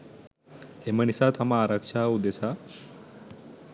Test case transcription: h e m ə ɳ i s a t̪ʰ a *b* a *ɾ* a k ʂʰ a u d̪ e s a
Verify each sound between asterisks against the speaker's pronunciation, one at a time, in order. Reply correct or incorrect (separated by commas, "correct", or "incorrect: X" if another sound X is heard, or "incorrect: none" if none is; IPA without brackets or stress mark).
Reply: incorrect: m, correct